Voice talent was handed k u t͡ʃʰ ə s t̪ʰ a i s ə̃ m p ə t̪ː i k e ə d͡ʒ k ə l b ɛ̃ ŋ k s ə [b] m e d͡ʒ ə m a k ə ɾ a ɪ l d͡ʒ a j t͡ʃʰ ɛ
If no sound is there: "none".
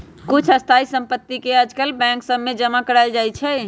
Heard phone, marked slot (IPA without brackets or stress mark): b